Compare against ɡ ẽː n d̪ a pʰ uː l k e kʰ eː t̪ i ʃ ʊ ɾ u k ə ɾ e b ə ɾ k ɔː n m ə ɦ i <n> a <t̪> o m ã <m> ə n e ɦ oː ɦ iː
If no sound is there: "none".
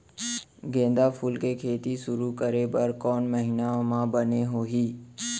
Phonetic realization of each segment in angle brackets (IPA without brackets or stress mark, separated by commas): n, none, b